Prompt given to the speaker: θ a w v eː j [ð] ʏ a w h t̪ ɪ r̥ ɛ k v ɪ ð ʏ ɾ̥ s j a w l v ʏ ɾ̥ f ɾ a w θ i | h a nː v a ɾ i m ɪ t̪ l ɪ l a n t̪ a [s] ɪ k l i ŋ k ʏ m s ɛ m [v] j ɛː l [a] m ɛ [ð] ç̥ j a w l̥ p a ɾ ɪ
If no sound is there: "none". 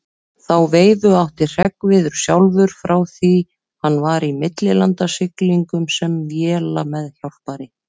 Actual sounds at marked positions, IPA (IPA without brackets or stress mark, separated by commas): ð, s, v, a, ð